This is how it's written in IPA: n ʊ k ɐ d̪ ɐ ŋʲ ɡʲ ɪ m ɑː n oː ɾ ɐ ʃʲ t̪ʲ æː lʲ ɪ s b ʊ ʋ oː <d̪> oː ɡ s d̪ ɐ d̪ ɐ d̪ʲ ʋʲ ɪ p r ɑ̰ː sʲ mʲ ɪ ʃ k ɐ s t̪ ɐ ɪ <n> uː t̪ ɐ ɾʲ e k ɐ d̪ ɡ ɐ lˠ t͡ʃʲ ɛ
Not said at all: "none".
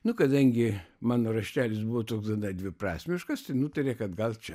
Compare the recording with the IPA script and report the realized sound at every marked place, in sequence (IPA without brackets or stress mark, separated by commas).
t̪, n